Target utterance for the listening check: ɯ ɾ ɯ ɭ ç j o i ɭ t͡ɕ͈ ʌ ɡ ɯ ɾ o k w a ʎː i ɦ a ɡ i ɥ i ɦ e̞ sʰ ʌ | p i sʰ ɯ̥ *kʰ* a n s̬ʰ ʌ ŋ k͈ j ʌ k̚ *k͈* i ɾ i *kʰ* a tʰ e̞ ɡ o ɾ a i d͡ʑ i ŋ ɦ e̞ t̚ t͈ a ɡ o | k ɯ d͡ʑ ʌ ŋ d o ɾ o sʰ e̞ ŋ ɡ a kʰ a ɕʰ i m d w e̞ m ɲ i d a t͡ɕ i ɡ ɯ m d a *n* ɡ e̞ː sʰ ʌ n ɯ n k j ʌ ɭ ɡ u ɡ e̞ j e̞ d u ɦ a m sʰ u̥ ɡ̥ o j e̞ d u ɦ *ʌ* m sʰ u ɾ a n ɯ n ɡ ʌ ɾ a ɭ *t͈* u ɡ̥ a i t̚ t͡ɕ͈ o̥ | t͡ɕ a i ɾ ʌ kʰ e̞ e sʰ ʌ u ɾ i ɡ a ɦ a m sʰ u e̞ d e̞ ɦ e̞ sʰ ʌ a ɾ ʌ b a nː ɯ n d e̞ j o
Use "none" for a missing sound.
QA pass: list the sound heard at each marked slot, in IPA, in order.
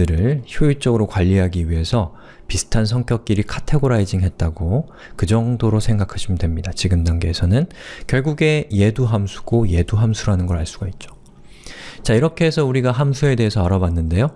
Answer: tʰ, k͈, kʰ, ŋ, a, s͈

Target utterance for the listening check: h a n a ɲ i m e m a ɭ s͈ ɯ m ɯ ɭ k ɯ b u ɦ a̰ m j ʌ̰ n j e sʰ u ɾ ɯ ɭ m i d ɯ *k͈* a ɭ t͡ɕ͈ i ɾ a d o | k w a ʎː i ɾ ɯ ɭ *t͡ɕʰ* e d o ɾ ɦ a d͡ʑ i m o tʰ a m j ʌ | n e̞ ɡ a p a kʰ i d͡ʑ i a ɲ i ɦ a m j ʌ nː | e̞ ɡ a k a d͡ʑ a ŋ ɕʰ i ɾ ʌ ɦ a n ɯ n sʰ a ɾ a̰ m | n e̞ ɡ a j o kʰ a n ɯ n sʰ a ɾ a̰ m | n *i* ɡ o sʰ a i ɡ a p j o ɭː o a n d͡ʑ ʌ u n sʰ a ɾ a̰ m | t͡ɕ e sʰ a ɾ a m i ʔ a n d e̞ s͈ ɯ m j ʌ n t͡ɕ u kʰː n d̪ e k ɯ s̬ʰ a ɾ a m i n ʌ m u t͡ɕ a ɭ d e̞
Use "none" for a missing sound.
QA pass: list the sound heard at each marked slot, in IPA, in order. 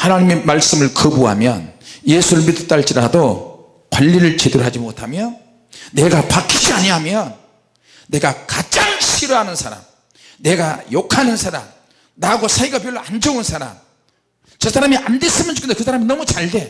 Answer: t͈, t͡ɕ, a

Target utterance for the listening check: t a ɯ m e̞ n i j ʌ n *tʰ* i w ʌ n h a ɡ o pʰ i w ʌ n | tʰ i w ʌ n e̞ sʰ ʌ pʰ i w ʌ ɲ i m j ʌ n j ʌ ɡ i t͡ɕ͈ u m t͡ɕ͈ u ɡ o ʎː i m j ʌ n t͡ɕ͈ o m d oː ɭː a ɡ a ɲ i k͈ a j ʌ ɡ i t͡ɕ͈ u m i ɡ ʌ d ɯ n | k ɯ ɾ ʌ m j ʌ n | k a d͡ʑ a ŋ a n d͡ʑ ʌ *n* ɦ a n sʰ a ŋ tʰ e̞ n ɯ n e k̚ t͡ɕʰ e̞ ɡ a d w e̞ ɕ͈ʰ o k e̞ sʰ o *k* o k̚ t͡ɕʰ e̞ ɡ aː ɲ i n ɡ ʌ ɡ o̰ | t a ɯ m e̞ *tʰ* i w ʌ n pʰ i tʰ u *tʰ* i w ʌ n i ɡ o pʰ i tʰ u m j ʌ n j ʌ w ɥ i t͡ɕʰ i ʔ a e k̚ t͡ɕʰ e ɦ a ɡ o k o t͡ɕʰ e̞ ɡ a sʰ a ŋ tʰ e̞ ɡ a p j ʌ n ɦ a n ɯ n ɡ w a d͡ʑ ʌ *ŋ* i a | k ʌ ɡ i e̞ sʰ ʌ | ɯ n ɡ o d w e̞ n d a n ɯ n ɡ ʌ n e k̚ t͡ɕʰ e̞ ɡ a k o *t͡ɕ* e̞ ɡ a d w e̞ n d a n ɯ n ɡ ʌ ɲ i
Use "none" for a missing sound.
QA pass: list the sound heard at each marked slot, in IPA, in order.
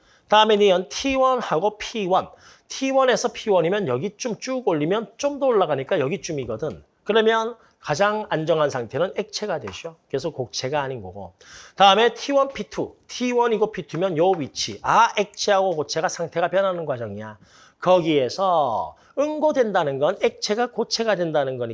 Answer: tʰ, ŋ, k, tʰ, tʰ, ŋ, t͡ɕʰ

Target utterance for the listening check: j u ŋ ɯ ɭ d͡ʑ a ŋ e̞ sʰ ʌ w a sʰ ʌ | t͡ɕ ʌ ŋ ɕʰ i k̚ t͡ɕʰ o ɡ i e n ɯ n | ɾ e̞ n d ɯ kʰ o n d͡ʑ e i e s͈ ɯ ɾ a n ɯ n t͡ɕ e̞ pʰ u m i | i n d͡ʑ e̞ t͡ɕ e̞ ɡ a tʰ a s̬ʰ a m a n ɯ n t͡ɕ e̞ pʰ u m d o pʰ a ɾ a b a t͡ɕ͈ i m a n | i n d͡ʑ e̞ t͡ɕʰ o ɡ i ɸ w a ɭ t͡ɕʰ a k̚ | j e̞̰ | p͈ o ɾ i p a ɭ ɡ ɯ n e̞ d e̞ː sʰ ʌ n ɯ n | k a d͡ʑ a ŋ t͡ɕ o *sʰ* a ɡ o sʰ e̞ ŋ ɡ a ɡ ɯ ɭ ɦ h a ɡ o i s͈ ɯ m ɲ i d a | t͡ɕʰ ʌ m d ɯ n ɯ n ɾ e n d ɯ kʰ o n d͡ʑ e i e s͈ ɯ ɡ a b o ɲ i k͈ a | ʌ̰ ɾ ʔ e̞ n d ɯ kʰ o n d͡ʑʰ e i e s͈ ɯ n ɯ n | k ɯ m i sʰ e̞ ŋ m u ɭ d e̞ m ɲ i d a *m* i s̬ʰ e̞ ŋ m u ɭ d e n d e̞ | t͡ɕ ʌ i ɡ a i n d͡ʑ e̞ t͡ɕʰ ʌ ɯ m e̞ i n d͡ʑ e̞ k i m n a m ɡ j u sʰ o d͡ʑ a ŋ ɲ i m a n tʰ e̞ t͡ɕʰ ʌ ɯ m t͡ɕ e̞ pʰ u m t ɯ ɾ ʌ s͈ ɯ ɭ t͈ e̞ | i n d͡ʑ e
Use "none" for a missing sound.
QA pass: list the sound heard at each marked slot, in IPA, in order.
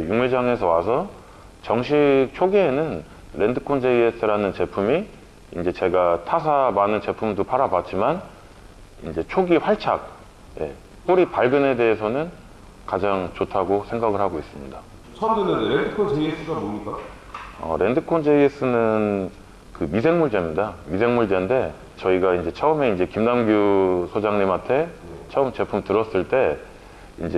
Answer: tʰ, m

